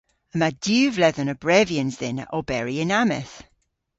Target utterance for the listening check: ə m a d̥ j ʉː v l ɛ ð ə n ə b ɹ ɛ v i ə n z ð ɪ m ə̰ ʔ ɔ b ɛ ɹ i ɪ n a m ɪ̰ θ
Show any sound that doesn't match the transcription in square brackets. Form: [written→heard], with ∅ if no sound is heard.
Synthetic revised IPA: ə m a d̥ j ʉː v l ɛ ð ə n ə b ɹ ɛ v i ə n z ð ɪ [m→n] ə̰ ʔ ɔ b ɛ ɹ i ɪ n a m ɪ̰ θ